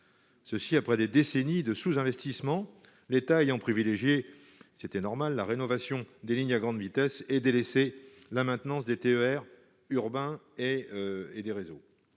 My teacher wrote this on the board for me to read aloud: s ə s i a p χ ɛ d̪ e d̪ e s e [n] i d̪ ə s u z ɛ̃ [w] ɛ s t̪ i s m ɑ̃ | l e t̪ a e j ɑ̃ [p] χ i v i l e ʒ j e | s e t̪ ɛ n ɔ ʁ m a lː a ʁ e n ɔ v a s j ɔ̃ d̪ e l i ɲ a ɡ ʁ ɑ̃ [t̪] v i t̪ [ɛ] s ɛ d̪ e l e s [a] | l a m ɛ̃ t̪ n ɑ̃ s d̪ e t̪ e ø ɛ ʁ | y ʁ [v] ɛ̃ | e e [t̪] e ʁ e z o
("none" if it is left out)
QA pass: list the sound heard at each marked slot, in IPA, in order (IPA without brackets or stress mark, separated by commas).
n, v, p, d̪, ɛ, e, b, d̪